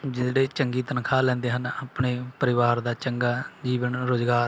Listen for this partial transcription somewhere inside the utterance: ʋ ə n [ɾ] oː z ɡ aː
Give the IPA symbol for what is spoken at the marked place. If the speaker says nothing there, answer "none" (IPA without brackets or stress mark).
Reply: ɾ